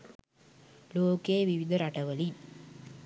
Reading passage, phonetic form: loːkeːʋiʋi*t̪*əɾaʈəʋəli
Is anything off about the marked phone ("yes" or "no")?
yes